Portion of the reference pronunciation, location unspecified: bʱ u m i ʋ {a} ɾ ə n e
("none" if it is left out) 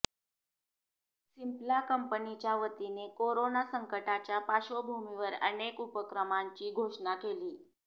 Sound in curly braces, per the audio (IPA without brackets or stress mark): ə